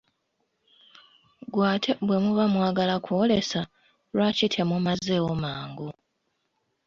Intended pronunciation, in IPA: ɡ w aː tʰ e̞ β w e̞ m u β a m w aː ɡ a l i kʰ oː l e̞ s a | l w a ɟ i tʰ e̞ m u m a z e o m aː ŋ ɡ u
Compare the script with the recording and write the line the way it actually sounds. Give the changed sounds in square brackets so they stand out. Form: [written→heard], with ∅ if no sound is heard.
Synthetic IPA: ɡ w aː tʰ e̞ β w e̞ m u β a m w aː ɡ a l [i→a] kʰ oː l e̞ s a | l w a [ɟ→c] i tʰ e̞ m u m a z e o m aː ŋ ɡ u